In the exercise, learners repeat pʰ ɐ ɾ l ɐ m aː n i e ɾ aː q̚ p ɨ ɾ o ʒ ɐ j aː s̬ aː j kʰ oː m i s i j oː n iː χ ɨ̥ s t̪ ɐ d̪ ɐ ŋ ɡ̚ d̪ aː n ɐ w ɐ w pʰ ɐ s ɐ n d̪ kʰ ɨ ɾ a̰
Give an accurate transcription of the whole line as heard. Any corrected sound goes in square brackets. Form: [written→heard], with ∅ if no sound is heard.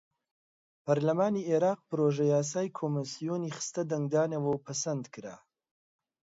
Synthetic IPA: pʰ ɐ ɾ l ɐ m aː n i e ɾ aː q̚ p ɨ ɾ o ʒ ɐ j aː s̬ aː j kʰ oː m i s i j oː n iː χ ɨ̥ s t̪ ɐ d̪ ɐ ŋ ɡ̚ d̪ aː n ɐ w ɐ w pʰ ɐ s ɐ n d̪ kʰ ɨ ɾ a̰